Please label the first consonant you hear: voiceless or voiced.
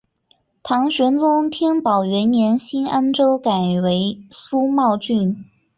voiceless